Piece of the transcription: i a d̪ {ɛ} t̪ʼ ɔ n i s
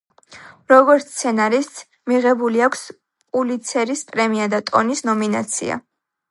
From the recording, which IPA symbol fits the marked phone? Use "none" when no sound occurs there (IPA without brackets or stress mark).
a